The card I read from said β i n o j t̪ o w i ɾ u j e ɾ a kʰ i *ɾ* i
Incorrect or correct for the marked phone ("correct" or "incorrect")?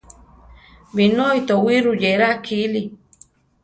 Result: incorrect